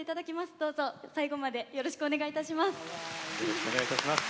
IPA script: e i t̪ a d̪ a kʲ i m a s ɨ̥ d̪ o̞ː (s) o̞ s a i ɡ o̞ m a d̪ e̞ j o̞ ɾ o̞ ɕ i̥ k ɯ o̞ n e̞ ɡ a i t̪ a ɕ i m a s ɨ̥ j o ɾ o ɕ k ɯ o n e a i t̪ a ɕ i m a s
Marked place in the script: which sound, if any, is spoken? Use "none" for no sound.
z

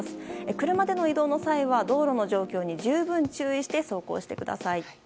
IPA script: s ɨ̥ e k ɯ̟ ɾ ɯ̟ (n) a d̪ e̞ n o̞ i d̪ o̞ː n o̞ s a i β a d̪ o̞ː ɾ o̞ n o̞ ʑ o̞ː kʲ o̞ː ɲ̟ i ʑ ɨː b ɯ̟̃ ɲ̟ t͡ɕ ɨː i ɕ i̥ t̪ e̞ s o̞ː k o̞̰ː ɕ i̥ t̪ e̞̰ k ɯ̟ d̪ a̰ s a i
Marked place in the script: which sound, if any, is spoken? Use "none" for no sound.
m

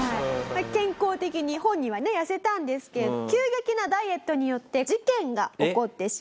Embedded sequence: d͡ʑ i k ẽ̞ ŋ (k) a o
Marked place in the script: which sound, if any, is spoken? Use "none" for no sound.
ɡ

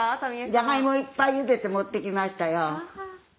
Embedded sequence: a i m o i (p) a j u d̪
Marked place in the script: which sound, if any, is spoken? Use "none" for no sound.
p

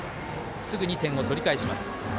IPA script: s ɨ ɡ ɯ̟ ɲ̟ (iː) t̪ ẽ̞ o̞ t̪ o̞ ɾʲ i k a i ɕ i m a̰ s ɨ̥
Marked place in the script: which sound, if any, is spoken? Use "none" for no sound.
i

